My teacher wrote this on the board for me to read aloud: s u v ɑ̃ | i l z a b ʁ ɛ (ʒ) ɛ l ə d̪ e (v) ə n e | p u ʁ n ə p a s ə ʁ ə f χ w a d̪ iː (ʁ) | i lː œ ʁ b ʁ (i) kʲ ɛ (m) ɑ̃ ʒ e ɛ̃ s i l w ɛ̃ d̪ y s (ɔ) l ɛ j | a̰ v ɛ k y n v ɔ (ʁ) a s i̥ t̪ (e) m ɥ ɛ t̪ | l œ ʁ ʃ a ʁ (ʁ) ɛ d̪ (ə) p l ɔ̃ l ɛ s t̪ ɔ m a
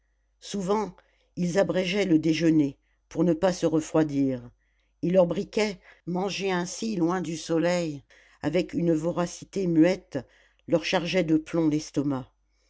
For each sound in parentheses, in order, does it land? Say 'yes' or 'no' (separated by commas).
yes, no, yes, yes, yes, yes, yes, yes, no, yes